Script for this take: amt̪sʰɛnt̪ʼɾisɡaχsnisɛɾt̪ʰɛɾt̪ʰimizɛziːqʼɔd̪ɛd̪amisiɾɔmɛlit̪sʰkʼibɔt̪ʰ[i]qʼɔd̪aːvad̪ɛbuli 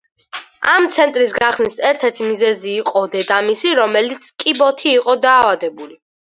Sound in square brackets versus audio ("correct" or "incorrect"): incorrect